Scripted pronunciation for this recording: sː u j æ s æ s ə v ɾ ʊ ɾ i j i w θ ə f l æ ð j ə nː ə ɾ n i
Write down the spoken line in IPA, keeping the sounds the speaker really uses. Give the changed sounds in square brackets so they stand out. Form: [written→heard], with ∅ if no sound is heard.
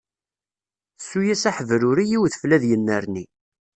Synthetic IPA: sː u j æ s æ [s→ħ] ə v ɾ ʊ ɾ i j i w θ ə f l æ ð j ə nː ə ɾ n i